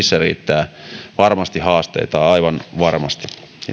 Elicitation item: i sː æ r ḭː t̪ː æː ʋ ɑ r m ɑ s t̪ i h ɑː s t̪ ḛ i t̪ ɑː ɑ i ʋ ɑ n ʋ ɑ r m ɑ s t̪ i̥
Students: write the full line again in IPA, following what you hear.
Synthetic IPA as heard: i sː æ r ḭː t̪ː æː ʋ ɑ r m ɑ s t̪ i h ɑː s t̪ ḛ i t̪ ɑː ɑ i ʋ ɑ n ʋ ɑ r m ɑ s t̪ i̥